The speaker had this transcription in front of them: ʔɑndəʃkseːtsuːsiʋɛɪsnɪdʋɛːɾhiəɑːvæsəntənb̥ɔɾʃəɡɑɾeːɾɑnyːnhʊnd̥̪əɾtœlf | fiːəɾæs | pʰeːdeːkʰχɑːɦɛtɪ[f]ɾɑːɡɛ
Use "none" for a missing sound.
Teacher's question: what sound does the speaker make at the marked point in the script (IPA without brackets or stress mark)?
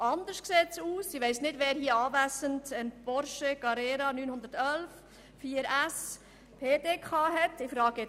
f